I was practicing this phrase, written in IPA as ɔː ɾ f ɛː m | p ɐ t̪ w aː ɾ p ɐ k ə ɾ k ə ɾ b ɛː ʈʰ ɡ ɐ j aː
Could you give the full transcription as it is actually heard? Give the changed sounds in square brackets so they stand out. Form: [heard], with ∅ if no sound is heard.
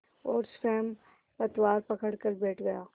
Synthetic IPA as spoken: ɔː ɾ [s] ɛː m | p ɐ t̪ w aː ɾ p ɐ k ə [ɽ] k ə ɾ b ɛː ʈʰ ɡ ɐ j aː